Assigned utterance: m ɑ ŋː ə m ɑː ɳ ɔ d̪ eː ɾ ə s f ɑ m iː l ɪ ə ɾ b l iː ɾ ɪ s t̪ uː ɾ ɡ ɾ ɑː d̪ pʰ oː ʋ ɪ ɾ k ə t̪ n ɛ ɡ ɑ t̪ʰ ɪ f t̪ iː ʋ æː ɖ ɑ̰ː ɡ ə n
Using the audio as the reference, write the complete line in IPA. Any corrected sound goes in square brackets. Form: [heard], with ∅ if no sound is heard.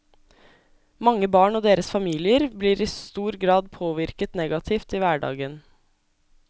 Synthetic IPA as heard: m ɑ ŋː ə [b] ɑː ɳ ɔ d̪ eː ɾ ə s f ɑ m iː l ɪ ə ɾ b l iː ɾ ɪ s t̪ uː ɾ ɡ ɾ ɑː d̪ pʰ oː ʋ ɪ ɾ k ə t̪ n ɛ ɡ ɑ t̪ʰ ɪ f t̪ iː ʋ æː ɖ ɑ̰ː ɡ ə n